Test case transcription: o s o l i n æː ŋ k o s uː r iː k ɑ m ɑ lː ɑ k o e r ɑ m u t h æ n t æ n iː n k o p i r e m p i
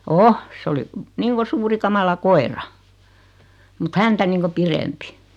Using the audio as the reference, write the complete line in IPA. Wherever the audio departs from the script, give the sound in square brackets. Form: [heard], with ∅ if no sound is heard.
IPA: o s o l i n [iː] ŋ k o s uː r [i] k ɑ m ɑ [l] ɑ k o e r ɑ m u t h æ n t æ n iː [ŋ] k o p i r e m p i